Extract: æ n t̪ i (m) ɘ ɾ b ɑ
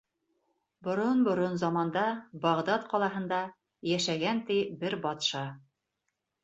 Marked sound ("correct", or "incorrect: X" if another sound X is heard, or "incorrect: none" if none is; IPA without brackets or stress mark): incorrect: b